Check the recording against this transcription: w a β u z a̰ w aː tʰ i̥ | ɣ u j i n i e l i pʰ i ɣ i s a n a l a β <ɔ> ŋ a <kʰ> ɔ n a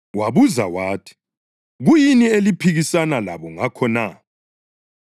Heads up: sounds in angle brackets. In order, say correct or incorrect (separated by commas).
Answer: correct, correct